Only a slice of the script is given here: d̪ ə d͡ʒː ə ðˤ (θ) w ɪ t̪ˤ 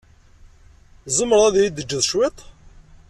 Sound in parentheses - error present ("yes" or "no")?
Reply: yes